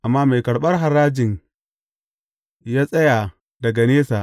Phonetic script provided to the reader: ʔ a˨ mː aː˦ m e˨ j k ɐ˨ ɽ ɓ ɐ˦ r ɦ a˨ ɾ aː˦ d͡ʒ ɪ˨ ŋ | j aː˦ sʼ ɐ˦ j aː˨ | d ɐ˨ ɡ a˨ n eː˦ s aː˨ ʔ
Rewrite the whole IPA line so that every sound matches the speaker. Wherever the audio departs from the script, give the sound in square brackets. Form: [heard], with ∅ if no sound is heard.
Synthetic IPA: ʔ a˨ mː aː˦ m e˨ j k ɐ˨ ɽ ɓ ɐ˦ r ɦ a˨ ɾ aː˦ d͡ʒ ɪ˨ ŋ | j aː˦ sʼ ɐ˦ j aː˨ | d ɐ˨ ɡ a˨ n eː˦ s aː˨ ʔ